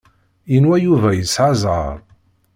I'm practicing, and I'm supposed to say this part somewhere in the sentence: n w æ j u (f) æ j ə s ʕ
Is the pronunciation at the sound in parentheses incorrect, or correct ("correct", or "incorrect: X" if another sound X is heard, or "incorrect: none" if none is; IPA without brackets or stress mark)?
incorrect: v